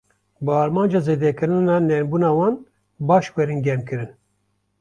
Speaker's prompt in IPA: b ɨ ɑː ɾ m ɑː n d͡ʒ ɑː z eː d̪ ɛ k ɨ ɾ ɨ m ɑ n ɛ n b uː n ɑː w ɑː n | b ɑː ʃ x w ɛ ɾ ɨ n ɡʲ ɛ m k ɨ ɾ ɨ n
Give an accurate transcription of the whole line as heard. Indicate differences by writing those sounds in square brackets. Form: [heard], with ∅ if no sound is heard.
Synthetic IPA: b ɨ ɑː ɾ m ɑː n d͡ʒ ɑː z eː d̪ ɛ k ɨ ɾ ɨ [n] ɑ n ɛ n b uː n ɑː w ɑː n | b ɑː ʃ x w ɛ ɾ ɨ n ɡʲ ɛ m k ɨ ɾ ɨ n